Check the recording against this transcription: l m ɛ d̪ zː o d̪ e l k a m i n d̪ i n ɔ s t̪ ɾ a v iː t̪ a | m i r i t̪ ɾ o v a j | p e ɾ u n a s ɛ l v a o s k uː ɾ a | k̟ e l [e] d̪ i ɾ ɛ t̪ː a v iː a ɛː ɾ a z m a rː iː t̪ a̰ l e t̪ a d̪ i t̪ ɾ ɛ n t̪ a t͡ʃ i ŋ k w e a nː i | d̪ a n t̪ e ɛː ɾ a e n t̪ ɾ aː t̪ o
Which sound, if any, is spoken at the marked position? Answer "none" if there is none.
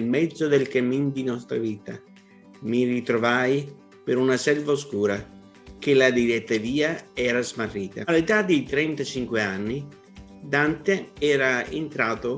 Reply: a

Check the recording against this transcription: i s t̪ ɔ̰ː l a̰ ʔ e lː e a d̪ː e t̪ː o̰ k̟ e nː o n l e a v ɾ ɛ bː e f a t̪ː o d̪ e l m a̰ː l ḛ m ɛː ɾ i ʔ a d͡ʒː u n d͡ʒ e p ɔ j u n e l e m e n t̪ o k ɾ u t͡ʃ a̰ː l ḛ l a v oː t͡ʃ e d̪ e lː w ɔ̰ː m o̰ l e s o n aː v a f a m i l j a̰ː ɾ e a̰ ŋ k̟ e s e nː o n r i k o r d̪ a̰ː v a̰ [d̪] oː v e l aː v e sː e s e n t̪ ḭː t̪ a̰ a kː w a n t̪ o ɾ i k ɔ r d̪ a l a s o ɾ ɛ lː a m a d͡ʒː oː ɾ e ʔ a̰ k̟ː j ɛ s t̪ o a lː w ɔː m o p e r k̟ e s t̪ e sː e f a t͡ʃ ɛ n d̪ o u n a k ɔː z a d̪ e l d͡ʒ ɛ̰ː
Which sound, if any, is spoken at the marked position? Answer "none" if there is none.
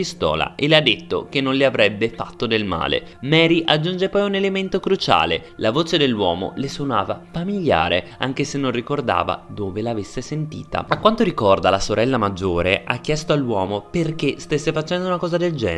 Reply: d̪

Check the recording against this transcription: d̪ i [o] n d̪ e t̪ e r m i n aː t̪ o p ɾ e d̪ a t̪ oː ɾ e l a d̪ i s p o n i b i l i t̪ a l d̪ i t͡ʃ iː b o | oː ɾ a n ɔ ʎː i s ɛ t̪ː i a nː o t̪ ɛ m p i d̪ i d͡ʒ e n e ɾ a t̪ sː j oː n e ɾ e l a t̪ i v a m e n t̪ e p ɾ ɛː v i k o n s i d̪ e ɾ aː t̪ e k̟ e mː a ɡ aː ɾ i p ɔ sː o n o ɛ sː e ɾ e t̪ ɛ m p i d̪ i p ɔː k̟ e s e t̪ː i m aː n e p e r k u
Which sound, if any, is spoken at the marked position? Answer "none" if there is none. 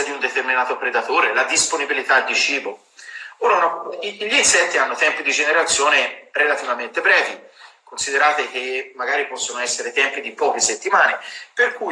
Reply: u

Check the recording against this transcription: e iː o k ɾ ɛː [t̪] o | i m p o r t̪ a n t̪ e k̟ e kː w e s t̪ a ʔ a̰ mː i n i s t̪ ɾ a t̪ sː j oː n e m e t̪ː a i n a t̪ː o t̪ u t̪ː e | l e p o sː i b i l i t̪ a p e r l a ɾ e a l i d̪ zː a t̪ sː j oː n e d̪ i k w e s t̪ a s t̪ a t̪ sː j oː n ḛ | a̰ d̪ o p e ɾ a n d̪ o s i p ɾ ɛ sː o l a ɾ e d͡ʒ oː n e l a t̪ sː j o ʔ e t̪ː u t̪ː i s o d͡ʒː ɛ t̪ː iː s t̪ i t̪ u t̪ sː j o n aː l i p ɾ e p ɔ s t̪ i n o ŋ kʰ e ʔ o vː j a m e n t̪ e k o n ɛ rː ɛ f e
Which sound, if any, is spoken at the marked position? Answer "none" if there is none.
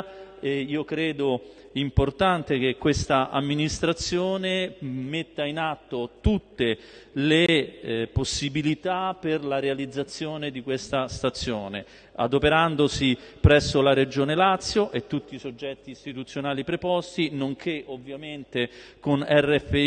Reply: d̪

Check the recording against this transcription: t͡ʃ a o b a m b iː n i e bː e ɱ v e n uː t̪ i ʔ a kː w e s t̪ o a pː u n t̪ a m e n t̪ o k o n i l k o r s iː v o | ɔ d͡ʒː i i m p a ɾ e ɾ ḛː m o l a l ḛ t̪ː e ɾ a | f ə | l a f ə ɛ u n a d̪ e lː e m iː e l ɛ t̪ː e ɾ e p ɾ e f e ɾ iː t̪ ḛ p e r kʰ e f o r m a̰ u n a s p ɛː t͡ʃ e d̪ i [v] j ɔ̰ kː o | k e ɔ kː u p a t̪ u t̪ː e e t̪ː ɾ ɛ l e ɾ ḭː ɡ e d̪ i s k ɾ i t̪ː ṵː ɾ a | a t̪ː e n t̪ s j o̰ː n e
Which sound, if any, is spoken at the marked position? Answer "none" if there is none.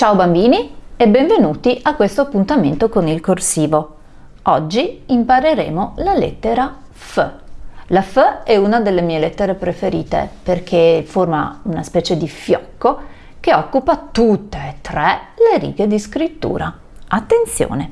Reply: f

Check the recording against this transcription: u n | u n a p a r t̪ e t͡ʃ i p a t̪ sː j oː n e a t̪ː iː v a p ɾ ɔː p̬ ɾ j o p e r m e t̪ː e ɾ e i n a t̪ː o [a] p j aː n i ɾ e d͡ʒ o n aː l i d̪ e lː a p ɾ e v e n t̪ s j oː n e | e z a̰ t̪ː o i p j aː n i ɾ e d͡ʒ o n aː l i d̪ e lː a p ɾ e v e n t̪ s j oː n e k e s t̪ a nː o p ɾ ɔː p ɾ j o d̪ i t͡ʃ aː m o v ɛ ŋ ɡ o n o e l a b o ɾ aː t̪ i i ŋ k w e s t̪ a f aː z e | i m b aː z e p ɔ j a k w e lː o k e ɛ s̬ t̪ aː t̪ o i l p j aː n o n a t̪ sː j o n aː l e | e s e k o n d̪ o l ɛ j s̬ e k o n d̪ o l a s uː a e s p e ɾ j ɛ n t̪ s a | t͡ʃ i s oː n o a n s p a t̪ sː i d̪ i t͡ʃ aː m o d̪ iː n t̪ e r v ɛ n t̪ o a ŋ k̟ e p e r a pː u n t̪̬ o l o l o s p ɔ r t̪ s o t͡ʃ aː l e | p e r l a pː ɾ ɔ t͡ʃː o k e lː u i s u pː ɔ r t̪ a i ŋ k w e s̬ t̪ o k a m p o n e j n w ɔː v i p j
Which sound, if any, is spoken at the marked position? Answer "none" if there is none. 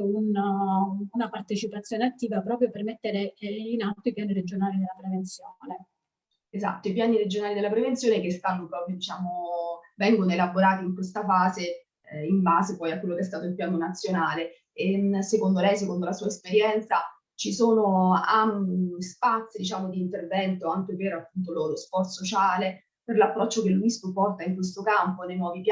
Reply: i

